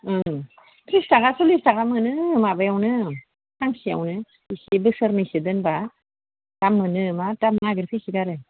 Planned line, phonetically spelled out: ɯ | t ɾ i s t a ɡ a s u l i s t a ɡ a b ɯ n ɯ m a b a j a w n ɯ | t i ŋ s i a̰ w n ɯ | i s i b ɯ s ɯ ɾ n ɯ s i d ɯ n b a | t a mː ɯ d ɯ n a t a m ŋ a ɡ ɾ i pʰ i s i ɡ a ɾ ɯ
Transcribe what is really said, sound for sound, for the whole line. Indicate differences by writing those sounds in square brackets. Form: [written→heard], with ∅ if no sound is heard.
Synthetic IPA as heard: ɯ | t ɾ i s t a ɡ a s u l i s t a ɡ a [b→m] ɯ n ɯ m a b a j a w n ɯ | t [i→a] ŋ s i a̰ w n ɯ | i s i b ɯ s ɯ ɾ n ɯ s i d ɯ n b a | t a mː ɯ [d→n] ɯ [n→m] a t a m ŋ a ɡ ɾ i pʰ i s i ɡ a ɾ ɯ